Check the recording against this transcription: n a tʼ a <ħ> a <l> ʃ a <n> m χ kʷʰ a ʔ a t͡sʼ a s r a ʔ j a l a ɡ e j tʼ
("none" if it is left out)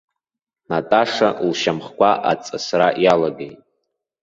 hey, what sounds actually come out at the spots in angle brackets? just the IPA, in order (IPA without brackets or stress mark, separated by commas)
ʂ, l, none